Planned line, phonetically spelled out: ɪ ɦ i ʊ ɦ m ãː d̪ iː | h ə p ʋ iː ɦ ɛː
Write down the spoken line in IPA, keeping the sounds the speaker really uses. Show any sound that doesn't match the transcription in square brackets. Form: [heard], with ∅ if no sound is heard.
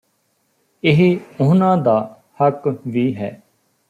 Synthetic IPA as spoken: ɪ ɦ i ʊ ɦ [n] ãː d̪ [aː] | h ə [k] ʋ iː ɦ ɛː

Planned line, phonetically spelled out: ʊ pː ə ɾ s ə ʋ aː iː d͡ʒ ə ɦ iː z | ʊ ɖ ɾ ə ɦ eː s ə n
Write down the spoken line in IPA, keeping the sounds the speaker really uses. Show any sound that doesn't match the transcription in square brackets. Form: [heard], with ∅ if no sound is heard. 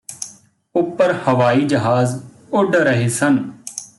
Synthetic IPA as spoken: ʊ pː ə ɾ [h] ə ʋ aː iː d͡ʒ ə ɦ [aː] z | ʊ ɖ ɾ ə ɦ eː s ə n

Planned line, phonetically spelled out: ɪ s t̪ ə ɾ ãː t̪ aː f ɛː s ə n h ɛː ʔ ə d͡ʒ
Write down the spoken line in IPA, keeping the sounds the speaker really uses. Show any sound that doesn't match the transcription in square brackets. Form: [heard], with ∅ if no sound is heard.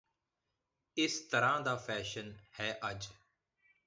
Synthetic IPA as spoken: ɪ s t̪ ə ɾ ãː [d̪] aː f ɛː [ʃ] ə n h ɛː ʔ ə d͡ʒ

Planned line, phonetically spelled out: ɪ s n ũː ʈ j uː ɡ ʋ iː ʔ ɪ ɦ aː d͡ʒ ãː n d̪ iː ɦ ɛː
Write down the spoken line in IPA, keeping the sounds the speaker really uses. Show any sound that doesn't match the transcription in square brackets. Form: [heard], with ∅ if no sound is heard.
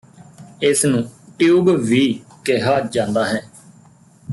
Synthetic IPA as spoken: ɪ s n ũː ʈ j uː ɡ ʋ iː [k] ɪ ɦ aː d͡ʒ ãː n d̪ [aː] ɦ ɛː

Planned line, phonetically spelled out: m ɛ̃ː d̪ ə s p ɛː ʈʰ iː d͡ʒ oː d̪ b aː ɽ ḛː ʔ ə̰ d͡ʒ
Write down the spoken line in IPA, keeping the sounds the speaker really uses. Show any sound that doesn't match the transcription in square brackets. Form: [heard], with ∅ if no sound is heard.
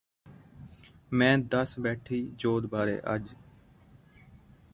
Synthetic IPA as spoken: m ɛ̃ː d̪ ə s [b] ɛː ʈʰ iː d͡ʒ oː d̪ b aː [ɾ] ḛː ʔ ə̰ d͡ʒ

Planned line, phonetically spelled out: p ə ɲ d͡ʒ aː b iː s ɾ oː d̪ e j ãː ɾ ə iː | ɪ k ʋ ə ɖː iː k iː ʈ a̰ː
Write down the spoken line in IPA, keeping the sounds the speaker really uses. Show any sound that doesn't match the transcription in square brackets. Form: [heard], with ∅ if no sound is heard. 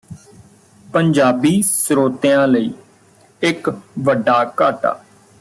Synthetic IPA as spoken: p ə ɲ d͡ʒ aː b iː s ɾ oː [t̪] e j ãː [l] ə iː | ɪ k ʋ ə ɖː [aː] k [aː] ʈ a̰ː

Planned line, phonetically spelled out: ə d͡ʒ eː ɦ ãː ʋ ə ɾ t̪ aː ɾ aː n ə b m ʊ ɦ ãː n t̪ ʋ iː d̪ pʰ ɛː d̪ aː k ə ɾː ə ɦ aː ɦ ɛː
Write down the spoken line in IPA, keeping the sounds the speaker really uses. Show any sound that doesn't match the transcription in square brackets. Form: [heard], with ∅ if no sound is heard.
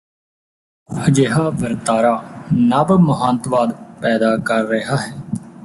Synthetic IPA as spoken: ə d͡ʒ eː ɦ [aː] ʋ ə ɾ t̪ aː ɾ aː n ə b m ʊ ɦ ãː n t̪ ʋ [aː] d̪ [p] ɛː d̪ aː k ə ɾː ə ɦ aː ɦ ɛː

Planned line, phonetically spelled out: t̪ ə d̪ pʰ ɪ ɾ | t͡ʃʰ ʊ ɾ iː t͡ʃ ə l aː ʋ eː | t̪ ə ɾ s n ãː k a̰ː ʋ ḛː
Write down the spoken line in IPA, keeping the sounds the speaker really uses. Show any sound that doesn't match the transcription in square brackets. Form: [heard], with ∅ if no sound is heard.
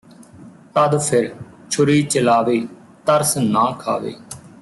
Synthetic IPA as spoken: t̪ ə d̪ pʰ ɪ ɾ | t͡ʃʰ ʊ ɾ iː t͡ʃ ə l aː ʋ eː | t̪ ə ɾ s n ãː [kʰ] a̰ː ʋ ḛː

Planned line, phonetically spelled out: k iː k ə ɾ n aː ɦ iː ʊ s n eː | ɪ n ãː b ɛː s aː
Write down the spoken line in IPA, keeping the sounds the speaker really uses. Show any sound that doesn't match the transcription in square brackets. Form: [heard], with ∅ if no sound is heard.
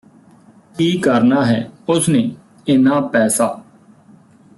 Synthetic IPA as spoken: k iː k ə ɾ n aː ɦ [ɛː] ʊ s n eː | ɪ n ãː [p] ɛː s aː

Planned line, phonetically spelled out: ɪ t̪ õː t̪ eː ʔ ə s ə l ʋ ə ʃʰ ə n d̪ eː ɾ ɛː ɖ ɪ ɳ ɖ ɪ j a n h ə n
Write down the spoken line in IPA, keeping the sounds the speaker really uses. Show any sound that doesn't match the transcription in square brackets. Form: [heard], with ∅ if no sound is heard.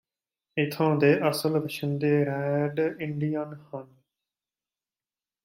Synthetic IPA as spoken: ɪ [t̪ʰ] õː [d̪] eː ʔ ə s ə l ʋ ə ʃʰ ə n d̪ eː ɾ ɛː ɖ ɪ ɳ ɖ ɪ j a n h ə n

